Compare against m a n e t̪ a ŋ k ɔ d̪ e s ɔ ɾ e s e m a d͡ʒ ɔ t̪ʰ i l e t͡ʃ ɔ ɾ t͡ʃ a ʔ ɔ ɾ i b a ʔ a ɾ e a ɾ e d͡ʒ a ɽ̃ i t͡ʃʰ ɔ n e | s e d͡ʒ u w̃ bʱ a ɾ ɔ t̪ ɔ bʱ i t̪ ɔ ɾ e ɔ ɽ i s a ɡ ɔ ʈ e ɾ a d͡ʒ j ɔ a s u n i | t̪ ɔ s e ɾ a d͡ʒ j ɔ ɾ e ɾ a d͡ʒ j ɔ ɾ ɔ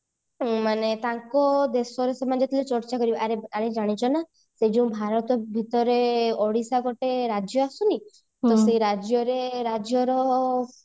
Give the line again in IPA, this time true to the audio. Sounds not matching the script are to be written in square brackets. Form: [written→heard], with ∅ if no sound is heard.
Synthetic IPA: m a n e t̪ a ŋ k ɔ d̪ e s ɔ ɾ e s e m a d͡ʒ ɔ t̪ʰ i l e t͡ʃ ɔ ɾ t͡ʃ a [ʔ→k] ɔ ɾ i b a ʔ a ɾ e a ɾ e d͡ʒ a ɽ̃ i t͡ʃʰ ɔ n [e→a] | s e d͡ʒ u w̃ bʱ a ɾ ɔ t̪ ɔ bʱ i t̪ ɔ ɾ e ɔ ɽ i s a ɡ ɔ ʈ e ɾ a d͡ʒ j ɔ a s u n i | t̪ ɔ s e ɾ a d͡ʒ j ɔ ɾ e ɾ a d͡ʒ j ɔ ɾ ɔ